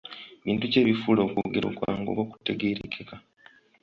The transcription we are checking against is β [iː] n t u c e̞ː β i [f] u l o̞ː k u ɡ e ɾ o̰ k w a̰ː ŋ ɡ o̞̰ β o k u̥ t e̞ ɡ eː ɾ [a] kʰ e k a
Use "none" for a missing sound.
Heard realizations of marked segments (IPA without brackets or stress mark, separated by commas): iː, f, e